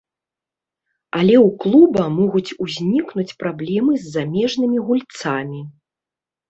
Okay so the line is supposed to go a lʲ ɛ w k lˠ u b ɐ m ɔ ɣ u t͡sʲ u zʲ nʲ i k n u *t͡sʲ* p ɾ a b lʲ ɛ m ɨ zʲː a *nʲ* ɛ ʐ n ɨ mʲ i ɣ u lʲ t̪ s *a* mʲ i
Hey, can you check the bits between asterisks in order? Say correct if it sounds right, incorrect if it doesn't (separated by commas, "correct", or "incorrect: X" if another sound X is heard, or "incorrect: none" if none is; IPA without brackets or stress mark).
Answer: correct, incorrect: mʲ, correct